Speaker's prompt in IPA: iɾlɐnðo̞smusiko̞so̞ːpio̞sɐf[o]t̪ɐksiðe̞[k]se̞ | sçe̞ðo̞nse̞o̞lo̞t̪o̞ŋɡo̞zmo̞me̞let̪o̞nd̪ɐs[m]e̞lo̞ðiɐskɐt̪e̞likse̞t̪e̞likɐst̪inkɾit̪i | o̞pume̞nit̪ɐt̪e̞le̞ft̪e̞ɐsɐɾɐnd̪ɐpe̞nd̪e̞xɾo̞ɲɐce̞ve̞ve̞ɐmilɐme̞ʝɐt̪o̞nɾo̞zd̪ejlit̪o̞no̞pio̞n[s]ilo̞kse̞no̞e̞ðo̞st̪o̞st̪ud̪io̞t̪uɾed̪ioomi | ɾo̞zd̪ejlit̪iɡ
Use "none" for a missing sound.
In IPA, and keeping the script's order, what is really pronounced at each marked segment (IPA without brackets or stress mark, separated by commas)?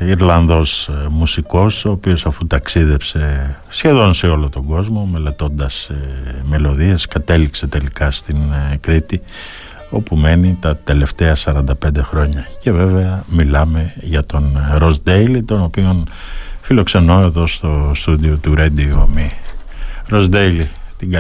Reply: u, p, m, f